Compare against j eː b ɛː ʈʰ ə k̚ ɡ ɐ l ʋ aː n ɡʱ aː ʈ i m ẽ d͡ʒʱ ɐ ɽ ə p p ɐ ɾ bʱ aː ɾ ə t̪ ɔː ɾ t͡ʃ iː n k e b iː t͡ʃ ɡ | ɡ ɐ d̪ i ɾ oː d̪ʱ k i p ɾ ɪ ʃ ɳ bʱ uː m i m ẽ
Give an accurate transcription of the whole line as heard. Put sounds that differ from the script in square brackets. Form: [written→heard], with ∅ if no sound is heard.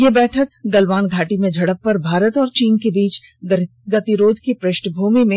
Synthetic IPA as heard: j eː b ɛː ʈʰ ə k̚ ɡ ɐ l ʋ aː n ɡʱ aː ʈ i m ẽ d͡ʒʱ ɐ ɽ ə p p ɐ ɾ bʱ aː ɾ ə t̪ ɔː ɾ t͡ʃ iː n k e b iː t͡ʃ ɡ | ɡ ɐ [d̪→t̪] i ɾ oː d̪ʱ k i p ɾ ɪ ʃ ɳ bʱ uː m i m ẽ